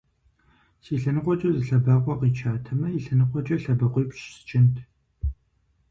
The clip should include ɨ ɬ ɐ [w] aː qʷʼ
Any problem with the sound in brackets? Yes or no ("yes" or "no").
yes